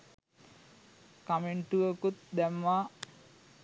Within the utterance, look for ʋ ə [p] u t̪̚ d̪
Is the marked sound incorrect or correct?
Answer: incorrect